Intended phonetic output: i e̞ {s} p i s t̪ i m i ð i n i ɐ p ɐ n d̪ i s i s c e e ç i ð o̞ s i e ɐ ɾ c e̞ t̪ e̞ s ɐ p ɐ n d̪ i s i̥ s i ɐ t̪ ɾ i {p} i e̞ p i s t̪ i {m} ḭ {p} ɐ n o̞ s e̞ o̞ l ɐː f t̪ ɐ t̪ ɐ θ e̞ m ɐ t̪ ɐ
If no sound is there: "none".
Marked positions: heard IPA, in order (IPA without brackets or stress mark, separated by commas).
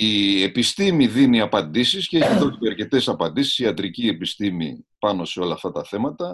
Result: none, c, m, p